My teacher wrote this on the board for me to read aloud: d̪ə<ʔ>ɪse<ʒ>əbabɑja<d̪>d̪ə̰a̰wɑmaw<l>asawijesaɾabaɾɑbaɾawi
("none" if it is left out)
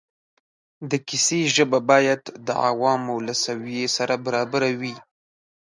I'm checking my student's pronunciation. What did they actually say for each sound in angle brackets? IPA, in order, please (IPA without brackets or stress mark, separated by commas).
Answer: k, ʒ, d̪, l